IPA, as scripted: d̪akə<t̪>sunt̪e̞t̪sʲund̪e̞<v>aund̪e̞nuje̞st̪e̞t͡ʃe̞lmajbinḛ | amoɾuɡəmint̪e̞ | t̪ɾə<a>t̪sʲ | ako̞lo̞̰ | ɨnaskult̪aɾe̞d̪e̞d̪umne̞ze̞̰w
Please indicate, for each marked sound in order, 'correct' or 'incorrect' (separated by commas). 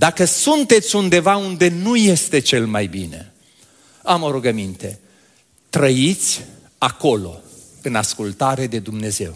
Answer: incorrect, correct, incorrect